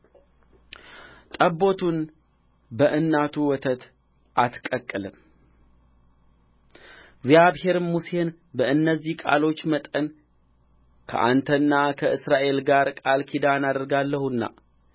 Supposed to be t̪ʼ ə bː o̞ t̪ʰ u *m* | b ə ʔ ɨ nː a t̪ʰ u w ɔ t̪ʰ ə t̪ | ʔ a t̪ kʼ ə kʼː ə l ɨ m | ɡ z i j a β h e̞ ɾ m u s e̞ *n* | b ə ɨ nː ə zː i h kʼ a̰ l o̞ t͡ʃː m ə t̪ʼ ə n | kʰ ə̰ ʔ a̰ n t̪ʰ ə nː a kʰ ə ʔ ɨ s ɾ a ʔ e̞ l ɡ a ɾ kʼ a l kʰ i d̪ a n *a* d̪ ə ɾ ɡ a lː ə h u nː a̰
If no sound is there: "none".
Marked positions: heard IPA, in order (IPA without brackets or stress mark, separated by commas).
n, n, a